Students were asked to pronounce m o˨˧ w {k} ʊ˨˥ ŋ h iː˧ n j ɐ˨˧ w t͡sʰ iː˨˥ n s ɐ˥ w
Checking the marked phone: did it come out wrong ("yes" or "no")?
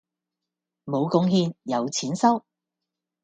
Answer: no